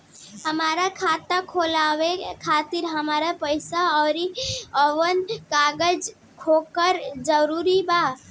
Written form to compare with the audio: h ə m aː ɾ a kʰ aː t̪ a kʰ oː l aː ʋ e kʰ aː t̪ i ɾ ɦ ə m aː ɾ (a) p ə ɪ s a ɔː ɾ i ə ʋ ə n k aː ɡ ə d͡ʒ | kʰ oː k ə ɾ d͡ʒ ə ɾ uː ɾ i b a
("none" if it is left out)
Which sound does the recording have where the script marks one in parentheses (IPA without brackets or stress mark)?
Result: a